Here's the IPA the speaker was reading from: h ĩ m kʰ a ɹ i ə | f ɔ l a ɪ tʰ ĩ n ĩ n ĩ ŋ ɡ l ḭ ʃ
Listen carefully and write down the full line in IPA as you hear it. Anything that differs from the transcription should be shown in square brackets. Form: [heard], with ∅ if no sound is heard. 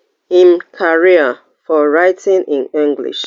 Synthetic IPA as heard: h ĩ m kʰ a ɹ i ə | f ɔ [ɹ] a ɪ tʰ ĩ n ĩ n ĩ ŋ ɡ l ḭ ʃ